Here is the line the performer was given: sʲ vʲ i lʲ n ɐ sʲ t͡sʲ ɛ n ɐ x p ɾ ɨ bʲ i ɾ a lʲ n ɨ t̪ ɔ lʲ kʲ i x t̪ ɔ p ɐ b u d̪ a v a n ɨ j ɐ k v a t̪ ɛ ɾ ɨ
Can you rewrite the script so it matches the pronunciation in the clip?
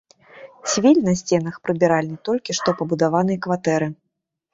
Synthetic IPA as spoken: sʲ vʲ i lʲ n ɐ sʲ t͡sʲ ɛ n ɐ x p ɾ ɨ bʲ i ɾ a lʲ n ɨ t̪ ɔ lʲ kʲ i ʂ t̪ ɔ p ɐ b u d̪ a v a n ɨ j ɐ k v a t̪ ɛ ɾ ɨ